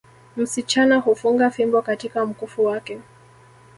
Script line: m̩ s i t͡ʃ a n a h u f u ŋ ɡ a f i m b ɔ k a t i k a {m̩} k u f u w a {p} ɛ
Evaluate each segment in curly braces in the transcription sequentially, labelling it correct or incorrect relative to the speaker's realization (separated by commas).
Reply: correct, incorrect